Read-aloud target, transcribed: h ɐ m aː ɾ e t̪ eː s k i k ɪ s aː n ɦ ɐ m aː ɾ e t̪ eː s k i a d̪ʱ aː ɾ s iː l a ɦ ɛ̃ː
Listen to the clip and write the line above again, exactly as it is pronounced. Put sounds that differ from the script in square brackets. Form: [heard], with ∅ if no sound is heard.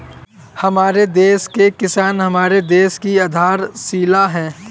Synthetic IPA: h ɐ m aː ɾ e [d̪] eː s k [e] k ɪ s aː n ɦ ɐ m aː ɾ e [d̪] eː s k i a d̪ʱ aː ɾ s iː l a ɦ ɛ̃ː

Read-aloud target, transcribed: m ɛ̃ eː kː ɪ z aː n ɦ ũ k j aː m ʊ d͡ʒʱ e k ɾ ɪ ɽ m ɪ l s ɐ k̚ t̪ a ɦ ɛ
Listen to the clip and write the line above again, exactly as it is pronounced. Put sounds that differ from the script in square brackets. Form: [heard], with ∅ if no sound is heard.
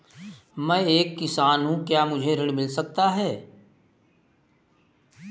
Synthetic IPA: m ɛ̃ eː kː ɪ [s] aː n ɦ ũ k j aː m ʊ d͡ʒʱ e [∅] ɾ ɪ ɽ m ɪ l s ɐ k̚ t̪ a ɦ [ɛː]

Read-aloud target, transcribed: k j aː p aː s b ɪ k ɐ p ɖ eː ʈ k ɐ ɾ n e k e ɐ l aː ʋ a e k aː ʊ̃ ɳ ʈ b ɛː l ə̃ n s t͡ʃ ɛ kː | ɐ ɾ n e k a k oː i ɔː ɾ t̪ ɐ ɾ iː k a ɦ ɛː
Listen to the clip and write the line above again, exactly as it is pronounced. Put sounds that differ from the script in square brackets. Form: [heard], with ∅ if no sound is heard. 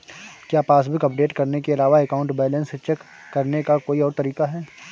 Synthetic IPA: k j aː p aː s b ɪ k ɐ p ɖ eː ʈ k ɐ ɾ n e k e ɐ l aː ʋ a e k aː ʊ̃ ɳ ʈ b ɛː l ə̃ n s t͡ʃ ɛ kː | ɐ ɾ n e k a k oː i ɔː ɾ t̪ ɐ ɾ iː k a ɦ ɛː

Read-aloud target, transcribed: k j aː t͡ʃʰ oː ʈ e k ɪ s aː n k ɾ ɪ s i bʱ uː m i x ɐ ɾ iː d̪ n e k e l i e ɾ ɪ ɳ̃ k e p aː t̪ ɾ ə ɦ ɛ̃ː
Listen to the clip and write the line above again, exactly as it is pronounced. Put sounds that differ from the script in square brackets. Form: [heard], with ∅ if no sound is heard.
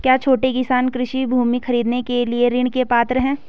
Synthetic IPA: k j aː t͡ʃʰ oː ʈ e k ɪ s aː n k ɾ ɪ [ʃ] i bʱ uː m i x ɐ ɾ iː d̪ n e k e l i e ɾ ɪ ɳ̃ k e p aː t̪ ɾ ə ɦ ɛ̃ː

